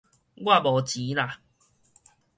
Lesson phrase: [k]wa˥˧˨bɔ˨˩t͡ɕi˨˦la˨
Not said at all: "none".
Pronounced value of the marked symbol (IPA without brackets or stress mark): ɡ